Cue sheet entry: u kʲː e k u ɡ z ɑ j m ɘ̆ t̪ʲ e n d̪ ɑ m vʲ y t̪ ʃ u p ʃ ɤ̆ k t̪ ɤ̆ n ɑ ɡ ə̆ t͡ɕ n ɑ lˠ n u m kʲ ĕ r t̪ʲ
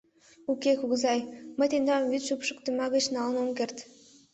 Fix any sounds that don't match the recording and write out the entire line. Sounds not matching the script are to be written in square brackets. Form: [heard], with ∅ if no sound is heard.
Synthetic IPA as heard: u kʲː e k u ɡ z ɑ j m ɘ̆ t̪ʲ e n d̪ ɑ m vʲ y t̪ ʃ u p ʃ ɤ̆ k t̪ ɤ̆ [m] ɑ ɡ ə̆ t͡ɕ n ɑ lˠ n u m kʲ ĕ r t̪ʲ